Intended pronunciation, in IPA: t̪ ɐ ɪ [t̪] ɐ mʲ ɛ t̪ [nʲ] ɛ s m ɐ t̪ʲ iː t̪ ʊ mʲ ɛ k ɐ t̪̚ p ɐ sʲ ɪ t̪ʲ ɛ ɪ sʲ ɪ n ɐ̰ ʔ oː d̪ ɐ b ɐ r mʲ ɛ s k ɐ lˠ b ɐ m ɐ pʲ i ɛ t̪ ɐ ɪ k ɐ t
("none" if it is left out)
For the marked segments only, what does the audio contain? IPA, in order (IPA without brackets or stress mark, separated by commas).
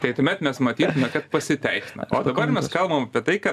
t̪, mʲ